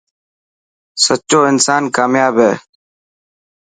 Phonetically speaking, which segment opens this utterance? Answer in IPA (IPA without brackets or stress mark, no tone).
s